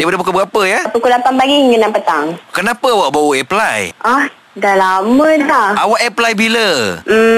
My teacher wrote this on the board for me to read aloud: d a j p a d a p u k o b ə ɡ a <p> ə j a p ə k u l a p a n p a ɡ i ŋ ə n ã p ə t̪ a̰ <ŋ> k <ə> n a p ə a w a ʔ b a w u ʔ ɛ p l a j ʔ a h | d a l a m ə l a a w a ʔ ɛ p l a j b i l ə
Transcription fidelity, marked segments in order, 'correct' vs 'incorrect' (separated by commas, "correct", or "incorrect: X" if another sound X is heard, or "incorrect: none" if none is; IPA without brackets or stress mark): correct, correct, correct